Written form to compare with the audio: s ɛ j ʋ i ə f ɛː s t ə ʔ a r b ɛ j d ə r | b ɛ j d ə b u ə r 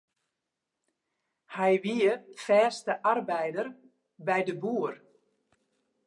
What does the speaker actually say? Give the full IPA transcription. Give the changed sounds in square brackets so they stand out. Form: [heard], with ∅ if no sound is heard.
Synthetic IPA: [h] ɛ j ʋ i ə f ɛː s t ə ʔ a r b ɛ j d ə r | b ɛ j d ə b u ə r